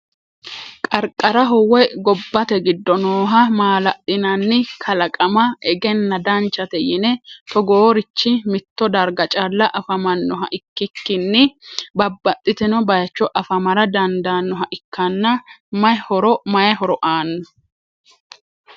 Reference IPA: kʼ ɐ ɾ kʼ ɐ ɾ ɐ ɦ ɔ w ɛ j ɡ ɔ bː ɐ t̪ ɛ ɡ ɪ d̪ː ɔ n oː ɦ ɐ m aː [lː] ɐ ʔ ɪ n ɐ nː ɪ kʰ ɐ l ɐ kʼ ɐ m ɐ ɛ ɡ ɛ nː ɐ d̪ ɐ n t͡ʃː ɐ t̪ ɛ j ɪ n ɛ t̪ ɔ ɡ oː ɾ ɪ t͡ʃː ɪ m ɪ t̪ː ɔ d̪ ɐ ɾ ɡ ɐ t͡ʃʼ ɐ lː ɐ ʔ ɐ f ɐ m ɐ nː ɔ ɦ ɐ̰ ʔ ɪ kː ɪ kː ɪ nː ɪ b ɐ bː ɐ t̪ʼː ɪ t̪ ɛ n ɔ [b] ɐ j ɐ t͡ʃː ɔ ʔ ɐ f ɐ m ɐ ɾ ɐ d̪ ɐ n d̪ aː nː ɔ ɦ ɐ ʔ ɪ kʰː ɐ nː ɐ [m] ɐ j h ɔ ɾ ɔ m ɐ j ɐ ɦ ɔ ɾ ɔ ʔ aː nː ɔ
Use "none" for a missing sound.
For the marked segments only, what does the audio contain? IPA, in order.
l, b, m

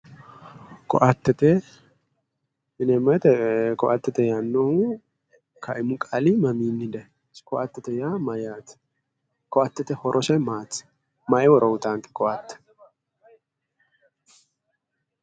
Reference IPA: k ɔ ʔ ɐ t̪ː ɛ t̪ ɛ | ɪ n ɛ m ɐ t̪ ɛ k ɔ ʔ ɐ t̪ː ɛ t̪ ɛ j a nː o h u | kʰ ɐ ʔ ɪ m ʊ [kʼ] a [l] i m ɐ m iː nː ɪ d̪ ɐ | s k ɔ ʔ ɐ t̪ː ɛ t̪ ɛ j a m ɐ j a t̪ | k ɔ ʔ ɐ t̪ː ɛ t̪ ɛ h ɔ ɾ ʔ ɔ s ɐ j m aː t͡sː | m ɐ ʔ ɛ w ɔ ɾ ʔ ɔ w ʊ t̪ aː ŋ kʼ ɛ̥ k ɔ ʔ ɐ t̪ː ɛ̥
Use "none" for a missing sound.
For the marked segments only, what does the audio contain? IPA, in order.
kʼ, l

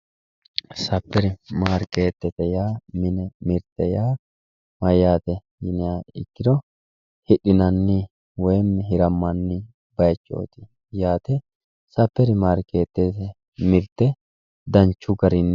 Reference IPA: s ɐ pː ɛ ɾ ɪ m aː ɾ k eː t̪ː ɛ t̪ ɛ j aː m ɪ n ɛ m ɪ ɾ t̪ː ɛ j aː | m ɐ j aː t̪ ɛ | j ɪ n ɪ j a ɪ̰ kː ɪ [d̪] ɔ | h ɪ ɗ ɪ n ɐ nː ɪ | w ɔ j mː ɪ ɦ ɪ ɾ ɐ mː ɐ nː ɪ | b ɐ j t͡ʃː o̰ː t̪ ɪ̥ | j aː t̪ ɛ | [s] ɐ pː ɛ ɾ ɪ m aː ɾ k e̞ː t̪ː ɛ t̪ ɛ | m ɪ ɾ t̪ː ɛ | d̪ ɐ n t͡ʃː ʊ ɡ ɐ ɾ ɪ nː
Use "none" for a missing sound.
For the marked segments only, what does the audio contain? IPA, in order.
d̪, s

